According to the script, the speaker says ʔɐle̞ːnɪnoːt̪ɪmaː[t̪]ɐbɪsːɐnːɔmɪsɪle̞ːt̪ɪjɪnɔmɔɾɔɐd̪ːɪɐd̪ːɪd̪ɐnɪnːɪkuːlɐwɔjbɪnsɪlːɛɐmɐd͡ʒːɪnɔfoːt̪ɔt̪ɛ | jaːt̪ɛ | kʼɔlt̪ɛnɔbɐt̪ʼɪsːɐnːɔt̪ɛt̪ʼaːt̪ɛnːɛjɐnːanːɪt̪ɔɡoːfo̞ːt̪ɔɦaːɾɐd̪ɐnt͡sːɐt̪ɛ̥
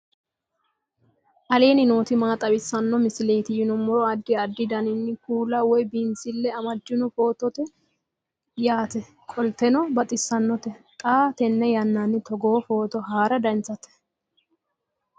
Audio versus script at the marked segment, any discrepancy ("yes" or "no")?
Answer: yes